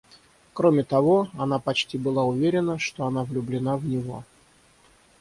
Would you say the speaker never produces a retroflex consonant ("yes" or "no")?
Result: no